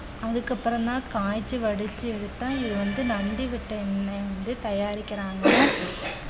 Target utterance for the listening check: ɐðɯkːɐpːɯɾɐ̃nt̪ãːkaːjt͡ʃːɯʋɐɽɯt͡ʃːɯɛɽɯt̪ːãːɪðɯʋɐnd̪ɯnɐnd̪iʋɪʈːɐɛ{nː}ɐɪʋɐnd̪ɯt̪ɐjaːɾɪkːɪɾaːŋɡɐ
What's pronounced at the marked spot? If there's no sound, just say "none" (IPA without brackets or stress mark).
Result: nː